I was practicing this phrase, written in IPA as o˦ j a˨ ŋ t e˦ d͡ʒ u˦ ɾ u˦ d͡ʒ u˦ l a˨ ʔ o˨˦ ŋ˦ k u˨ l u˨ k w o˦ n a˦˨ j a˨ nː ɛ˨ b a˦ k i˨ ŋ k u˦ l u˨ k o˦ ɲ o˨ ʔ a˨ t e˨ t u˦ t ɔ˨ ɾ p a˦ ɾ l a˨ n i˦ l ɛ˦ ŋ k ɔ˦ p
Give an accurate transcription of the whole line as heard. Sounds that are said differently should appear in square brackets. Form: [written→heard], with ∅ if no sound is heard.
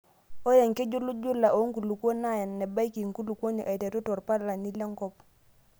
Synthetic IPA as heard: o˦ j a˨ ŋ [t→k] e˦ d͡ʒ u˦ [ɾ→l] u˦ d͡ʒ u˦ l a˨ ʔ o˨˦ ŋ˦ k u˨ l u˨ k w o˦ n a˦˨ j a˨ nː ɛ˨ b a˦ k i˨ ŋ k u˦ l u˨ k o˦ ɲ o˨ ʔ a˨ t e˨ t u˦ t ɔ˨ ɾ p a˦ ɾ l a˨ n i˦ l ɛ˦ ŋ k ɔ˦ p